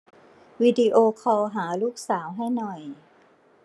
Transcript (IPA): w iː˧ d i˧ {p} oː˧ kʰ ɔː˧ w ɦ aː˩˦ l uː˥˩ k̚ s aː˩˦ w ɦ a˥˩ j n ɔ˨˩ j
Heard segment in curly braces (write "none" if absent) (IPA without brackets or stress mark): ʔ